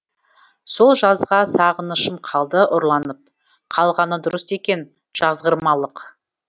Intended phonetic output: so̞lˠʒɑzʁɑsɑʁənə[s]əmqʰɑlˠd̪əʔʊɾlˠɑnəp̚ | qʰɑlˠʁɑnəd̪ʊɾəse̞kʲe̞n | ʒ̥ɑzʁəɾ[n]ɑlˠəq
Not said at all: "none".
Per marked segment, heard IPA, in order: ʃ, m

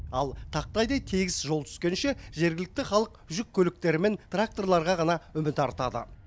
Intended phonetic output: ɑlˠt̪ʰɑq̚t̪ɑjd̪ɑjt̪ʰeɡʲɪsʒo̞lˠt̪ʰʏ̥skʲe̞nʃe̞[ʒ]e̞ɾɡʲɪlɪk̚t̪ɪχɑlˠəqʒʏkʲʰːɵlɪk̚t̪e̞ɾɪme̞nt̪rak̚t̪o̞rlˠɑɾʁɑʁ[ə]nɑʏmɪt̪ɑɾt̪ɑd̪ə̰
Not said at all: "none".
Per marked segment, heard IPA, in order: ʒ, ɑ

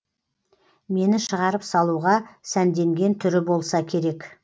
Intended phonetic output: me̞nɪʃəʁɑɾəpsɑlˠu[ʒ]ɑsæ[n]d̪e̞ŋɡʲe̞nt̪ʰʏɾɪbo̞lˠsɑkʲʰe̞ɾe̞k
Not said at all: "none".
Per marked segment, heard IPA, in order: ʁ, n

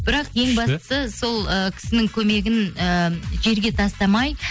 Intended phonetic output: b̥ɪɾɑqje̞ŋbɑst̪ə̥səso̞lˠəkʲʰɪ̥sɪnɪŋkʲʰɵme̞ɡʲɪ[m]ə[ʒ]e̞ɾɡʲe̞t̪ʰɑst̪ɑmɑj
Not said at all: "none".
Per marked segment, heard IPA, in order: n, ʒ

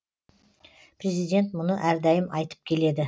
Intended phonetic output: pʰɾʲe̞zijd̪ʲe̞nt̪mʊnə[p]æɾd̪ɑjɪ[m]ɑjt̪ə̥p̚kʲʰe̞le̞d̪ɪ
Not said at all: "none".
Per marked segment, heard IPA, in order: ʔ, m

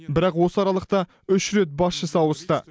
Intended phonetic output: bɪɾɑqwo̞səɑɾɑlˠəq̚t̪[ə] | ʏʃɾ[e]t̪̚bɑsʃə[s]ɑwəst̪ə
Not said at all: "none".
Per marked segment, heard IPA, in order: ɑ, e, s

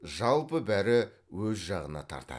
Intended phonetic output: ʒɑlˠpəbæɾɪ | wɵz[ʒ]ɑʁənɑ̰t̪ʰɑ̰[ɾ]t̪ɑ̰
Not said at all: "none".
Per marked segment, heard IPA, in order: ʒ, ɾ

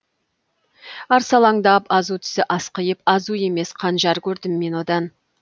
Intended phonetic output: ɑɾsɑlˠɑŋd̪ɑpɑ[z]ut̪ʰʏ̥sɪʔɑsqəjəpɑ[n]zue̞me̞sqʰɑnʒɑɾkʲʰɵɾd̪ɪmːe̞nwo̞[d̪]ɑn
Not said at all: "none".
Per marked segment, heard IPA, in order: z, none, d̪

